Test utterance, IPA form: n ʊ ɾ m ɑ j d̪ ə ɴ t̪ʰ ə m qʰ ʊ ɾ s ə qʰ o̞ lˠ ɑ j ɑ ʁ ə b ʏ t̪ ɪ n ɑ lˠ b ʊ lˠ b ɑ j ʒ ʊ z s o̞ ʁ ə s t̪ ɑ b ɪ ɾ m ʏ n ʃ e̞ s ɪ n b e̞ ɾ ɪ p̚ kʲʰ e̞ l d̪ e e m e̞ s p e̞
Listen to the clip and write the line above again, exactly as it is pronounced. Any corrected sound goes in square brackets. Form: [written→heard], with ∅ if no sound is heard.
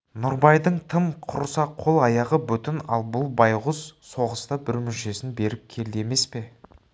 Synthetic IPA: n ʊ ɾ [m→b] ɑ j d̪ ə ɴ t̪ʰ ə m qʰ ʊ ɾ s [ə→ɑ] qʰ o̞ lˠ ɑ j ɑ ʁ ə b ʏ t̪ ɪ n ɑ lˠ b ʊ lˠ b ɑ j [ʒ→ʁ] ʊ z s o̞ ʁ ə s t̪ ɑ b ɪ ɾ m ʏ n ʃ e̞ s ɪ n b e̞ ɾ ɪ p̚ kʲʰ e̞ l d̪ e e m e̞ s p e̞